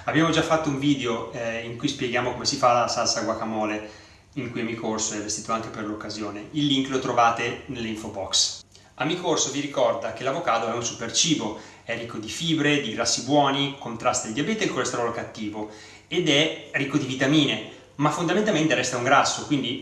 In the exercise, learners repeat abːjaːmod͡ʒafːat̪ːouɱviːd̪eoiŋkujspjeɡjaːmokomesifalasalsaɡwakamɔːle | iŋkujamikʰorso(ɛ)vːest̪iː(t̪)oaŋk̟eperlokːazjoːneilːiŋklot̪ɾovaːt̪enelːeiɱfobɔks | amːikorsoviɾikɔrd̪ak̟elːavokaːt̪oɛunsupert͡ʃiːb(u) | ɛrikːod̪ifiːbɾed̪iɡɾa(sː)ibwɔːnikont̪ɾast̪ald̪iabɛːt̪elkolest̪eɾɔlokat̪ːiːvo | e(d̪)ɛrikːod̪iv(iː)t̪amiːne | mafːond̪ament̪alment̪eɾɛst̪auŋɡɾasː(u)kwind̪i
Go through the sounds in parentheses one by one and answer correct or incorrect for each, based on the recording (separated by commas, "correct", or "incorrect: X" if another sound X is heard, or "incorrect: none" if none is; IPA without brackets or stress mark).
correct, correct, incorrect: o, correct, correct, incorrect: i, incorrect: o